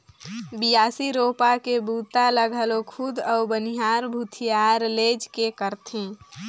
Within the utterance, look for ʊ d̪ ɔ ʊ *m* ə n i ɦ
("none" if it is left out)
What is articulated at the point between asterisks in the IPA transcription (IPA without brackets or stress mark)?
b